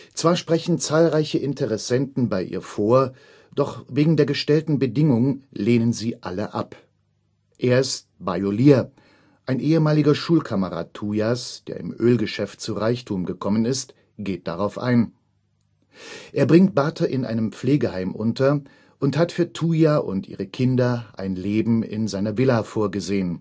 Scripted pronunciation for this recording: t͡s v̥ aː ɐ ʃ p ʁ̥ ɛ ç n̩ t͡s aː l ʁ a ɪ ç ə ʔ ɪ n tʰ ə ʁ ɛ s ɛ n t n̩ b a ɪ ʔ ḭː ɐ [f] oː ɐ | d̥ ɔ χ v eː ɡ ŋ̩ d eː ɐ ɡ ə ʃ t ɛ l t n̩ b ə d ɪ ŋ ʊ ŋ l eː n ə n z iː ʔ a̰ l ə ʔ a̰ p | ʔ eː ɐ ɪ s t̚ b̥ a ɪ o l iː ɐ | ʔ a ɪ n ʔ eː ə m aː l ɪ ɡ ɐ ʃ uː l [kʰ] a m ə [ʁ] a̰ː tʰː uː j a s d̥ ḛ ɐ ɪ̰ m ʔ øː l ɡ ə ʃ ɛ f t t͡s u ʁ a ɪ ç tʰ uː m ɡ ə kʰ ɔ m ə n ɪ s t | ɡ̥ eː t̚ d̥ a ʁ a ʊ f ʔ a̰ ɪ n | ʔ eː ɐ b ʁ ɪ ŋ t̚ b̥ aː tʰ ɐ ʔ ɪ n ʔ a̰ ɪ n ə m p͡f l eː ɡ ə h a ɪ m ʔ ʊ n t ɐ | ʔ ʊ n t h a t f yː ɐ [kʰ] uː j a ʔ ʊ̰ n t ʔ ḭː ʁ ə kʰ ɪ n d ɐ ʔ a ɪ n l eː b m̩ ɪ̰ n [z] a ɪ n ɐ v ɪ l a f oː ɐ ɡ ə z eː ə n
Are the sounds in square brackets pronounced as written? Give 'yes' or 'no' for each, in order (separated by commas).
yes, yes, yes, no, yes